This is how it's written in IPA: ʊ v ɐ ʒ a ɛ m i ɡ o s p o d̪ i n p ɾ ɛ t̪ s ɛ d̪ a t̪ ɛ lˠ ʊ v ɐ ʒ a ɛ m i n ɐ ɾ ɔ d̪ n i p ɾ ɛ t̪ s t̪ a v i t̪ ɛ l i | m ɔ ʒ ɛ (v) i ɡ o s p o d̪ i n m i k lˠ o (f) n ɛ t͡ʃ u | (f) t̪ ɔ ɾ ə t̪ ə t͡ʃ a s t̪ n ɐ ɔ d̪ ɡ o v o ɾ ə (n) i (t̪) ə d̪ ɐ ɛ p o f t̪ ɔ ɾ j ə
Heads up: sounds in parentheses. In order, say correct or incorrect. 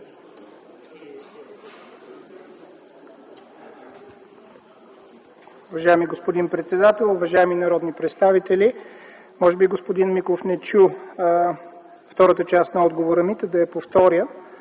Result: incorrect: b, correct, correct, incorrect: m, correct

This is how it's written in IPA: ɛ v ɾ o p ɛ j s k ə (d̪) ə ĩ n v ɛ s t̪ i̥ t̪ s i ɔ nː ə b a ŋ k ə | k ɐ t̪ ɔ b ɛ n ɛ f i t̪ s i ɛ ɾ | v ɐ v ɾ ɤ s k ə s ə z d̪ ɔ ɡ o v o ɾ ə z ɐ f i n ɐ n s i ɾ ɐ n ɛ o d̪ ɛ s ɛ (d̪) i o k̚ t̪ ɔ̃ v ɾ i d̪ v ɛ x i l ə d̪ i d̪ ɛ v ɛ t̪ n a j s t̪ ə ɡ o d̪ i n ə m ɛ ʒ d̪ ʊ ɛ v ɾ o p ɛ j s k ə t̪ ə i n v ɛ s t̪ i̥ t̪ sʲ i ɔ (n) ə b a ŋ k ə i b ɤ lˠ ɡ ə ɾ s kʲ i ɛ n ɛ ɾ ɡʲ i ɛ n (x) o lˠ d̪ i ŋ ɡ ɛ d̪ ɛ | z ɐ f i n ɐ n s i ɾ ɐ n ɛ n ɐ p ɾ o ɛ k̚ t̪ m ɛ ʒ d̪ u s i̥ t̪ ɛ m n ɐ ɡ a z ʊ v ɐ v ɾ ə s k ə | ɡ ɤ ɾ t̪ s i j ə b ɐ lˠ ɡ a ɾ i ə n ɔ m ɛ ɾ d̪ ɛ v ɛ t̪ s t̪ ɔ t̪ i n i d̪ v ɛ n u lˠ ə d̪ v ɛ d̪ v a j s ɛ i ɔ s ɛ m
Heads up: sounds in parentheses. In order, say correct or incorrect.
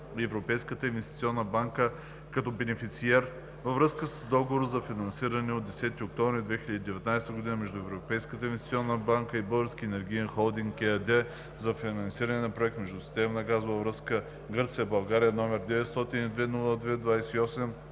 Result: incorrect: t̪, incorrect: t̪, incorrect: nː, correct

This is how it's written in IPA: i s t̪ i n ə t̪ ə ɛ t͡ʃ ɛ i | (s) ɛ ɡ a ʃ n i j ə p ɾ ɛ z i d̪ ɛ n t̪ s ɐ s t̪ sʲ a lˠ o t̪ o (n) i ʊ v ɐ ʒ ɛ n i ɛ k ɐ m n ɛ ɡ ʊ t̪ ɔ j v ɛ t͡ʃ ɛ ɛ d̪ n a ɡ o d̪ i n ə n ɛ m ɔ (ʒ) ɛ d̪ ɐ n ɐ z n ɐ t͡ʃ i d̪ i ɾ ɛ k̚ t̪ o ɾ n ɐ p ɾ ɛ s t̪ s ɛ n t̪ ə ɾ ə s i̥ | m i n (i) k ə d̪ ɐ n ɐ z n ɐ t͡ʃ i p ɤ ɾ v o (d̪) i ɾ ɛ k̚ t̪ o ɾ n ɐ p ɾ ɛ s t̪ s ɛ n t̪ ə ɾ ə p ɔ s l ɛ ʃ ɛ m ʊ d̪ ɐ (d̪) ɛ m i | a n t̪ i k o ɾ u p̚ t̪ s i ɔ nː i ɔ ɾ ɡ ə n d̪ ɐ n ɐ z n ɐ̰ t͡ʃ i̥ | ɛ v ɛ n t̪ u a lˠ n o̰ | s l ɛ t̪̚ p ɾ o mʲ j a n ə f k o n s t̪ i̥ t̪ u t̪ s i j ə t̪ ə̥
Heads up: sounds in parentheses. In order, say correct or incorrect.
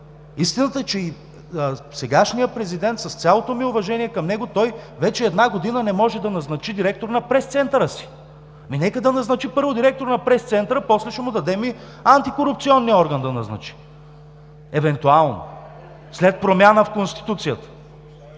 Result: correct, incorrect: m, correct, incorrect: ɛ, correct, correct

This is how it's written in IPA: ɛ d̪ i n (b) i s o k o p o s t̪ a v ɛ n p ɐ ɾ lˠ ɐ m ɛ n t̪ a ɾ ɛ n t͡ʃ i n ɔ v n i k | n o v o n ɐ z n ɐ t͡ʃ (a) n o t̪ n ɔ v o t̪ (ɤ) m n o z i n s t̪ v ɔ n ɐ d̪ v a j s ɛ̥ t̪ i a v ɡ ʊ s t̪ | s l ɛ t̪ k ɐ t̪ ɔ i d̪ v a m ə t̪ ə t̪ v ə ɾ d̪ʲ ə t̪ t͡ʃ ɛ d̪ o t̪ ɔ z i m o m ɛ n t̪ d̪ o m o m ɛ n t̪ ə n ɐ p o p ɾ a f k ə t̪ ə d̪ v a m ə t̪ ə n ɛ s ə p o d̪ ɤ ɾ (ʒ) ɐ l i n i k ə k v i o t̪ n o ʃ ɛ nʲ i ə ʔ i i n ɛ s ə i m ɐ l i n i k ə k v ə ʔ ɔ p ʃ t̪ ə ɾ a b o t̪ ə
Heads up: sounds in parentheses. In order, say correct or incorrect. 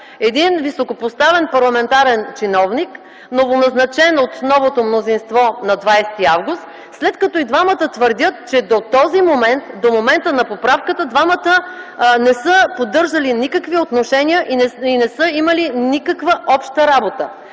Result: incorrect: v, incorrect: ɛ, incorrect: o, correct

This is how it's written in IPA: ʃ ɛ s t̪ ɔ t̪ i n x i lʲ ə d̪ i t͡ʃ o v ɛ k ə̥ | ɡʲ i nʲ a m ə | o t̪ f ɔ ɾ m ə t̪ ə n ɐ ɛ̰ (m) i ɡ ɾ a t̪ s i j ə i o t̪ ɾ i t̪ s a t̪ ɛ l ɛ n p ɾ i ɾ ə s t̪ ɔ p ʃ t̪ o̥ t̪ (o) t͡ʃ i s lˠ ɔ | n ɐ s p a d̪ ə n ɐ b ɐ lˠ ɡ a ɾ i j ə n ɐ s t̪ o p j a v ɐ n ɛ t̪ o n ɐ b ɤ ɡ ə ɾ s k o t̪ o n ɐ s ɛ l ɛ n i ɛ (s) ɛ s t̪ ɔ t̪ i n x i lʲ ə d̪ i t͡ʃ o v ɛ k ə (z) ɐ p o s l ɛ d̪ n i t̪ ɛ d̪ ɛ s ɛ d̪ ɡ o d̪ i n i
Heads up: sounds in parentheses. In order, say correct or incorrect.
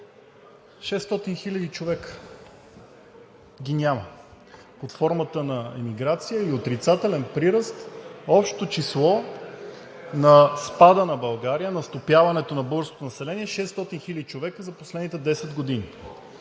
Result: correct, correct, incorrect: ʃ, correct

